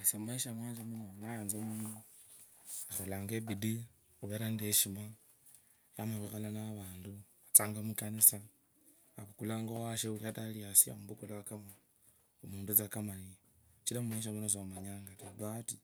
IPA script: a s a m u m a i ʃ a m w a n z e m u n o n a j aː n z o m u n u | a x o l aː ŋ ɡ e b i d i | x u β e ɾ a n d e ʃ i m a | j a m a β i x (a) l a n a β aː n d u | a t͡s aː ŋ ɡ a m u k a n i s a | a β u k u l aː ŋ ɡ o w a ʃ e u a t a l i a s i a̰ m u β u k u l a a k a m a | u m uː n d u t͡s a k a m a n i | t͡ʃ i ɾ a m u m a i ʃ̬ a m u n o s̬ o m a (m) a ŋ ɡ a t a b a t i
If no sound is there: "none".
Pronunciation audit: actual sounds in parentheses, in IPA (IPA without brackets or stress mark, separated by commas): a, ɲ